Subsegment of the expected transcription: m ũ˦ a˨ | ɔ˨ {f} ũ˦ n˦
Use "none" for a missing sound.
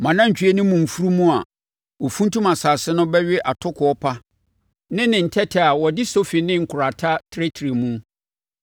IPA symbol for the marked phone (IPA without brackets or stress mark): f